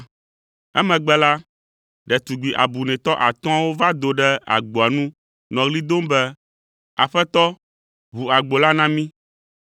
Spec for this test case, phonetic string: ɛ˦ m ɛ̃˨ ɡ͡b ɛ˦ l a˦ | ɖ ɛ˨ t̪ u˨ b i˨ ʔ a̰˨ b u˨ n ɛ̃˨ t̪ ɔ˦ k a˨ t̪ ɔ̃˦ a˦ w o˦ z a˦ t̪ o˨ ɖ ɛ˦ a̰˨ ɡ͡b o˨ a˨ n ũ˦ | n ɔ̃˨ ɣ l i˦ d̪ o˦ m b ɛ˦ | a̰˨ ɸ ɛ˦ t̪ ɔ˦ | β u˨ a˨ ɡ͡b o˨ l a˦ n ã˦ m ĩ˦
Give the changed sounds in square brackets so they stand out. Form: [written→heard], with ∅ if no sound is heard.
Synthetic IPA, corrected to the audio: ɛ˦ m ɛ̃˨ ɡ͡b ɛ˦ l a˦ | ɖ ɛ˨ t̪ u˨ [b→ɡ͡b] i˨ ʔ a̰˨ b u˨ n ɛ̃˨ t̪ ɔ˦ [k→ʔ] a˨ t̪ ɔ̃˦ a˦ w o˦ [z→v] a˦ [t̪→d̪] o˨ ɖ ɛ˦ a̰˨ ɡ͡b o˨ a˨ n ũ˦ | n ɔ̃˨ ɣ l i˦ d̪ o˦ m b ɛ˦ | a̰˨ ɸ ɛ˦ t̪ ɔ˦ | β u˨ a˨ ɡ͡b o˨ l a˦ n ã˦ m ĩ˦